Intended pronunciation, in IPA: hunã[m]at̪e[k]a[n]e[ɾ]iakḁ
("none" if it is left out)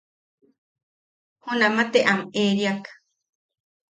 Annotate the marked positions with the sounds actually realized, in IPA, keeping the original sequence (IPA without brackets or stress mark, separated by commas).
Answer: m, ʔ, m, ɾ